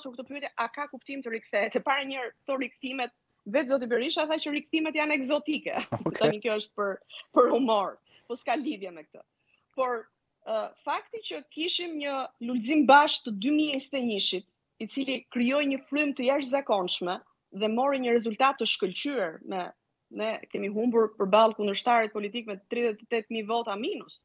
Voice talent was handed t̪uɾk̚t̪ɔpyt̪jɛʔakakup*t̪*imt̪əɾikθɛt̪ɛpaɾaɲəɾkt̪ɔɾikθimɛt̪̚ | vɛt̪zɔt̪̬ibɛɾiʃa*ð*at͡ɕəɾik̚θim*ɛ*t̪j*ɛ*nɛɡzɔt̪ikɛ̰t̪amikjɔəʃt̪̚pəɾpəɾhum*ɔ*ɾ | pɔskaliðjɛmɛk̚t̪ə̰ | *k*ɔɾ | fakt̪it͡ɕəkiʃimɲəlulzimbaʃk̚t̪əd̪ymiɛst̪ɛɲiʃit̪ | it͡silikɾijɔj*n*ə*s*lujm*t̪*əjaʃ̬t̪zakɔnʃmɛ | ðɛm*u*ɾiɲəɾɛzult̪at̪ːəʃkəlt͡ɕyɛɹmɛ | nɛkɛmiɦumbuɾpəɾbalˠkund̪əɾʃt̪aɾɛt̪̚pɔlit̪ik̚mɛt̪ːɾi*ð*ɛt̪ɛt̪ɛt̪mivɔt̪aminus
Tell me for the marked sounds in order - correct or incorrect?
correct, incorrect: θ, correct, incorrect: a, correct, incorrect: p, incorrect: ɲ, incorrect: f, correct, incorrect: ɔ, correct

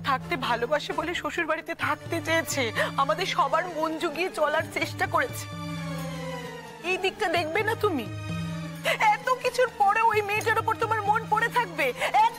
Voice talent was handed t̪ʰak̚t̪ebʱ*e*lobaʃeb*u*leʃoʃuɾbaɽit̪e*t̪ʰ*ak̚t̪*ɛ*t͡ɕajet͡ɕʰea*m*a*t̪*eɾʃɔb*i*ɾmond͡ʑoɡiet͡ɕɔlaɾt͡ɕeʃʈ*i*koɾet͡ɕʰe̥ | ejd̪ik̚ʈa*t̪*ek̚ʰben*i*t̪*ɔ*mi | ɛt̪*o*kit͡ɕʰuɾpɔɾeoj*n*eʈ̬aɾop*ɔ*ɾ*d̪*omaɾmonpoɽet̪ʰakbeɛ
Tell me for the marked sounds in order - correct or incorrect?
incorrect: a, incorrect: o, correct, incorrect: e, correct, incorrect: d̪, incorrect: a, incorrect: a, incorrect: d̪, incorrect: a, incorrect: u, correct, incorrect: m, incorrect: o, incorrect: t̪

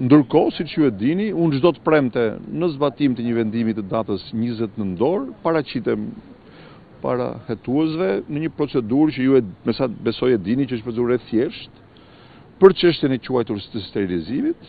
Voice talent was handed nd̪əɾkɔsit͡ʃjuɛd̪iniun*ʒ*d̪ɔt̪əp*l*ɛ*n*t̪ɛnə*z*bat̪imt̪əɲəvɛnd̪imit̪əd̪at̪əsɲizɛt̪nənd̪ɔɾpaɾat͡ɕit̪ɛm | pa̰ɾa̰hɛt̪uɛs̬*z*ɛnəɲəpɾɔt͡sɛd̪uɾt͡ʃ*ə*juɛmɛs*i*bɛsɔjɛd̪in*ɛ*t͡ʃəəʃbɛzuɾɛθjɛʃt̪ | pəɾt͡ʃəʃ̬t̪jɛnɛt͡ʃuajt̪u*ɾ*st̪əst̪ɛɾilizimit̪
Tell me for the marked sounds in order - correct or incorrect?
correct, incorrect: ɾ, incorrect: m, correct, incorrect: v, correct, incorrect: a, incorrect: i, correct

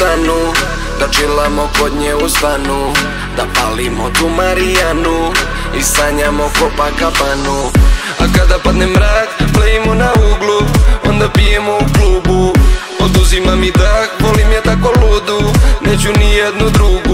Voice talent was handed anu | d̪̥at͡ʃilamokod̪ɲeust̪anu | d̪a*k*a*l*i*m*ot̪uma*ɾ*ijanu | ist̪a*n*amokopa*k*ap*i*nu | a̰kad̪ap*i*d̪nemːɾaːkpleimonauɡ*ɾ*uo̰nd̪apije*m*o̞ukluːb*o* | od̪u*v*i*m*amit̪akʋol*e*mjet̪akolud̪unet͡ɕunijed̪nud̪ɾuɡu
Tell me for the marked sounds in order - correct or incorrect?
incorrect: p, correct, correct, correct, incorrect: ɲ, correct, incorrect: a, incorrect: a, incorrect: l, correct, incorrect: u, incorrect: z, correct, incorrect: i

